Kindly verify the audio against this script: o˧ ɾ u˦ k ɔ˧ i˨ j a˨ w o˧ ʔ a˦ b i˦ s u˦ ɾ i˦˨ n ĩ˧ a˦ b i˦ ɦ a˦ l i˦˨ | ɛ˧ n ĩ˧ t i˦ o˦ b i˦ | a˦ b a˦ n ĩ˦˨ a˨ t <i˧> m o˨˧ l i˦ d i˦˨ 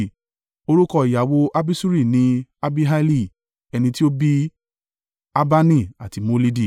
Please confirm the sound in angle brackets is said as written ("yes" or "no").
yes